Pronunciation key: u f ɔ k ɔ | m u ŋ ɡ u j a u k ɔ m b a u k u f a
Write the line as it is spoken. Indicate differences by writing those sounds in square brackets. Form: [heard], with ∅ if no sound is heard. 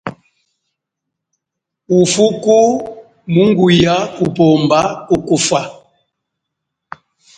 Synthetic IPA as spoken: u f [u] k [u] | m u ŋ ɡ u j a u [p] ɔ m b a u k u f a